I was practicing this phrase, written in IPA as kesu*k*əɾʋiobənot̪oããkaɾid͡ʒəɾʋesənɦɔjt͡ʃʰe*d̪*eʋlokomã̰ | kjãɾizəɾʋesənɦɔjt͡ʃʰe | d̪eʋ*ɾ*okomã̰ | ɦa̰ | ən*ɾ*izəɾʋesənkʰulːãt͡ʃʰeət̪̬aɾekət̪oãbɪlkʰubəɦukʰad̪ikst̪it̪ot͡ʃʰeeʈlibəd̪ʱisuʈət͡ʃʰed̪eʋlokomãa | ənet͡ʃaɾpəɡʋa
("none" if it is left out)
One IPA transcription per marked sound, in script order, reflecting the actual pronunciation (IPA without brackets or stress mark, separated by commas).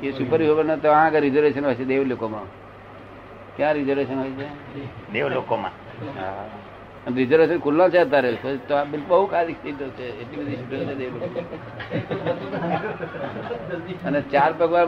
p, d̪, l, ɾ